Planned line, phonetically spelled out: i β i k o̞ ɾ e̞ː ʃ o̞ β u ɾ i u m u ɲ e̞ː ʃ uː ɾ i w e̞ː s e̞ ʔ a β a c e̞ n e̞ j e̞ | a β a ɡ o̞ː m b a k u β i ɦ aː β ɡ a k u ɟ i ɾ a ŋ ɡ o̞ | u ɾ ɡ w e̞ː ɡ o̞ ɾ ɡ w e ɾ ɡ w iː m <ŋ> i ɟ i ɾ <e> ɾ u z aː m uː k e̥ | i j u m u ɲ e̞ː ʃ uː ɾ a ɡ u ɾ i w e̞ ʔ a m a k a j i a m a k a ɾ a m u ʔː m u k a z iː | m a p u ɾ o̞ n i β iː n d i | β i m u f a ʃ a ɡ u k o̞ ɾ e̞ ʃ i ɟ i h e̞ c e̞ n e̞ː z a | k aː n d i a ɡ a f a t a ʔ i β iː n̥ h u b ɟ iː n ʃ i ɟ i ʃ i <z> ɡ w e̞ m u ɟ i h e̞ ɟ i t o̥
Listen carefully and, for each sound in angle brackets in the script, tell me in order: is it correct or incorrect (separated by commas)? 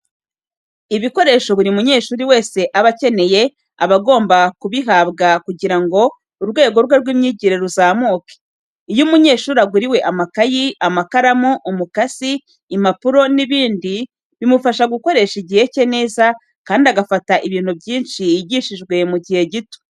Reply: incorrect, correct, incorrect